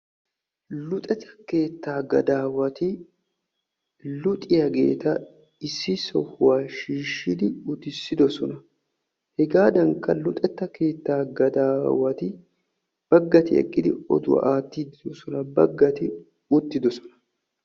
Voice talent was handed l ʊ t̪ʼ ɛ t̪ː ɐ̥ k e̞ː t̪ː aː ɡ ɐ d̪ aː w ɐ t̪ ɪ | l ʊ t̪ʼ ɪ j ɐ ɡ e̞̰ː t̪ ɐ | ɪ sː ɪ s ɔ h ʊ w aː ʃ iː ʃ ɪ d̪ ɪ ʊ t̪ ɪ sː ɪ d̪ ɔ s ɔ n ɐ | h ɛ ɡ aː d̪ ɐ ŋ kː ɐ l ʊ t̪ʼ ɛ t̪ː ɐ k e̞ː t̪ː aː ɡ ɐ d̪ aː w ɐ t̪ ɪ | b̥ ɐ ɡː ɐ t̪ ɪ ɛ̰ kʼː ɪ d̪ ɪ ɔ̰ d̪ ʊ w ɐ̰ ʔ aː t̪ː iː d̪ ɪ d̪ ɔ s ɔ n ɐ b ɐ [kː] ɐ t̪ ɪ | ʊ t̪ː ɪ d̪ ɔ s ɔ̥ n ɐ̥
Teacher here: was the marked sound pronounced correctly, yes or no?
no